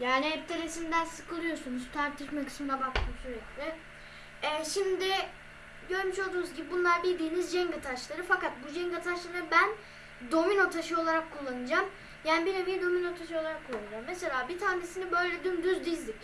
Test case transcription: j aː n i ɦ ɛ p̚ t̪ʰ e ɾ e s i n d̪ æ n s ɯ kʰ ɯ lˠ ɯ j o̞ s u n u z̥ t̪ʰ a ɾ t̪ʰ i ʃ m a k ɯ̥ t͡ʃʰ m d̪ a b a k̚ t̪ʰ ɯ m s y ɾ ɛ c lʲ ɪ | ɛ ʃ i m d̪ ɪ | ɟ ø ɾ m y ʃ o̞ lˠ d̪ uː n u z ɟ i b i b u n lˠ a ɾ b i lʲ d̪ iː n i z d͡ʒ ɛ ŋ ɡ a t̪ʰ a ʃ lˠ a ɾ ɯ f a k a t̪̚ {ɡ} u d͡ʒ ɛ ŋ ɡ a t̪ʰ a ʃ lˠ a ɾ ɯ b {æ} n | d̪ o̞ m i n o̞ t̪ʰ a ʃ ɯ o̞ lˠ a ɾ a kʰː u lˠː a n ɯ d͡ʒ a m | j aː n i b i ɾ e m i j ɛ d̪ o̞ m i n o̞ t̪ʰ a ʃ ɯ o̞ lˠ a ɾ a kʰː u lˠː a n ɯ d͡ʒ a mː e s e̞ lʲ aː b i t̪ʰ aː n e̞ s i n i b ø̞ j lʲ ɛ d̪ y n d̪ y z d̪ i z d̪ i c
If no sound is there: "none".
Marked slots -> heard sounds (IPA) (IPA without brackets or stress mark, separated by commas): b, æ